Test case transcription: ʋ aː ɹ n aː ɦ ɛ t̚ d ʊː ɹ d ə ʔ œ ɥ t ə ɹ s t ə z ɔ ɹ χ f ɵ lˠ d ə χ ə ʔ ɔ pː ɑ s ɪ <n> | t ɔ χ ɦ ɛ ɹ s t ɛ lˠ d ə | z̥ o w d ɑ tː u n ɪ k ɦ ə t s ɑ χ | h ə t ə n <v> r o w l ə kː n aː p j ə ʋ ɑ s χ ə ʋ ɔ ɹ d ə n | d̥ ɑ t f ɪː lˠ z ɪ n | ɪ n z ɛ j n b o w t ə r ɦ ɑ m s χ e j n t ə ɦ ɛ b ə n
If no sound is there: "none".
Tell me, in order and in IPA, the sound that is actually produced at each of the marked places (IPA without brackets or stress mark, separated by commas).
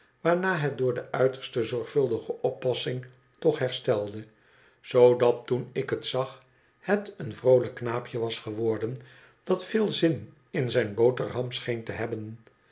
ŋ, v